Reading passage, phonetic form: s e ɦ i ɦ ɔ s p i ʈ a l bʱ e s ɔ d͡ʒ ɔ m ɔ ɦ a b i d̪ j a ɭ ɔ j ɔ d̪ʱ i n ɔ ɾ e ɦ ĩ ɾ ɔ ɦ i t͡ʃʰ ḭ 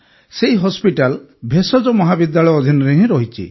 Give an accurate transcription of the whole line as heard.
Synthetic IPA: s e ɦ i ɦ ɔ s p i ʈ a l bʱ e s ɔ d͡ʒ ɔ m ɔ ɦ a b i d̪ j a ɭ ɔ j ɔ d̪ʱ i n ɔ ɾ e ɦ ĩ ɾ ɔ ɦ i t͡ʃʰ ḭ